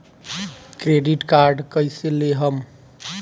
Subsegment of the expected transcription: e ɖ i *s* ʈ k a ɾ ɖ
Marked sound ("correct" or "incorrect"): incorrect